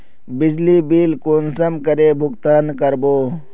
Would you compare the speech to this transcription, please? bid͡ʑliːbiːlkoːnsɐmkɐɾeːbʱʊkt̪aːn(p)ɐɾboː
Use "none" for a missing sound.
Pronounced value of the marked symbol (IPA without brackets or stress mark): k